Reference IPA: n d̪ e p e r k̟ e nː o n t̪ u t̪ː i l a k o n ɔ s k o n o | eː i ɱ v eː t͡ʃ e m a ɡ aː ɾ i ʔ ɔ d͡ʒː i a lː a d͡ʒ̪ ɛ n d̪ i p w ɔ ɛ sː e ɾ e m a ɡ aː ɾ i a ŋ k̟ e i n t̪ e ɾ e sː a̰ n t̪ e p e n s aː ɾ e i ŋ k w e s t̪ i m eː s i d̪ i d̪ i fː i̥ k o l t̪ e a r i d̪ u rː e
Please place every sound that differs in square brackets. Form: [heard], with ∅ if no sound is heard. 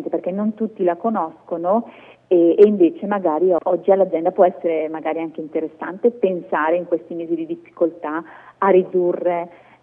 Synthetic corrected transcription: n [t̪] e p e r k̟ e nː o n t̪ u t̪ː i l a k o n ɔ s k o n o | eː i ɱ v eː t͡ʃ e m a ɡ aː ɾ i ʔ ɔ d͡ʒː i a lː a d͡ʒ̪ ɛ n d̪ [a] p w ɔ ɛ sː e ɾ e m a ɡ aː ɾ i a ŋ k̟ e i n t̪ e ɾ e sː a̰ n t̪ e p e n s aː ɾ e i ŋ k w e s t̪ i m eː [z] i d̪ i d̪ i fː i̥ k o l t̪ [a] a r i d̪ u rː e